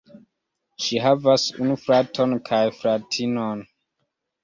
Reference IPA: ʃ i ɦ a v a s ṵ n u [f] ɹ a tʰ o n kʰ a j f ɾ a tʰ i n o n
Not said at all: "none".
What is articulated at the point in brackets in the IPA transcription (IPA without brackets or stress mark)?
f